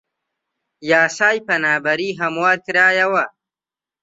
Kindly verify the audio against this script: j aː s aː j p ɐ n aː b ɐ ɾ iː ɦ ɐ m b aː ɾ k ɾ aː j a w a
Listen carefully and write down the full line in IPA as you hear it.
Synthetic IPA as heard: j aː s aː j p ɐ n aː b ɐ ɾ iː ɦ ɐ m w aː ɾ k ɾ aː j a w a